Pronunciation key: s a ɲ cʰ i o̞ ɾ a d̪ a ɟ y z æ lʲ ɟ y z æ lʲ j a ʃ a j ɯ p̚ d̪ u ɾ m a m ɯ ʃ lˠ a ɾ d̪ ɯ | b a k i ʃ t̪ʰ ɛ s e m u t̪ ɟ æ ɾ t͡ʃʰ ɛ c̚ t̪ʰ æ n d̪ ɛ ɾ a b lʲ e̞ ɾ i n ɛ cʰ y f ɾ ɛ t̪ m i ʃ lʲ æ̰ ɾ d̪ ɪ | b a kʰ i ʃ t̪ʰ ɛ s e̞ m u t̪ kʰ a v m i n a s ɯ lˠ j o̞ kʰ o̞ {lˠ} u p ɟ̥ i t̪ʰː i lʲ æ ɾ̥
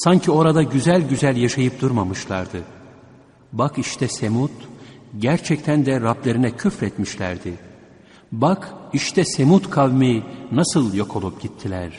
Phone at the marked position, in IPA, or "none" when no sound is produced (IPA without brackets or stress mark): lˠ